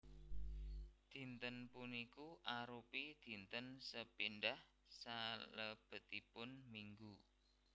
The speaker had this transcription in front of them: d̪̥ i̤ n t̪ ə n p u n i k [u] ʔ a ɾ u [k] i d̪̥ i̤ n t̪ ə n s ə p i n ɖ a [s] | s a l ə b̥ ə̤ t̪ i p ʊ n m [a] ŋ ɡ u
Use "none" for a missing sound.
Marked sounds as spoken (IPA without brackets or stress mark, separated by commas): u, p, h, i